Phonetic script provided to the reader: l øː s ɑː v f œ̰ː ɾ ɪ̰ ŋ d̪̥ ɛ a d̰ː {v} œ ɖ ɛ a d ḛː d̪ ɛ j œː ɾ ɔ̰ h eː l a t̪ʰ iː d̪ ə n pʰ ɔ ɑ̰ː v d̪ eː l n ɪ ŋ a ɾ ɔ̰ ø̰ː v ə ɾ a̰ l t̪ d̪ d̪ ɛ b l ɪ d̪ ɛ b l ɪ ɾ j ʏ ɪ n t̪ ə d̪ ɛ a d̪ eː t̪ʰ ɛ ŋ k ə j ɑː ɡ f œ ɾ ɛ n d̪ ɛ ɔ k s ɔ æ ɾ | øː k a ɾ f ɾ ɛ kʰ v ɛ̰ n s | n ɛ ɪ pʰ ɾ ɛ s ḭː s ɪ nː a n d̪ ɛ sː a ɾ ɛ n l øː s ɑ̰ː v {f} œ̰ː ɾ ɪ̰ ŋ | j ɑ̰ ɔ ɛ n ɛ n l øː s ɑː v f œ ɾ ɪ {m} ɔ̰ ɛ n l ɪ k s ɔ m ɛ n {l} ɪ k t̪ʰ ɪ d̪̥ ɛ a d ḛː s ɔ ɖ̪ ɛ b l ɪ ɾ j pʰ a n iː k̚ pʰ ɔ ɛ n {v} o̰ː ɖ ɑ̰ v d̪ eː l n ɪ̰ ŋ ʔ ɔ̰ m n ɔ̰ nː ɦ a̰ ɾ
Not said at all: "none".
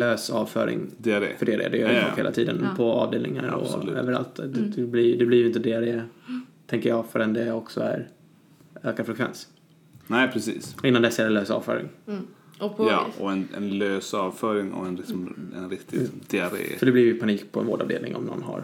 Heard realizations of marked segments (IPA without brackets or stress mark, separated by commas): f, f, ŋ, ɾ, v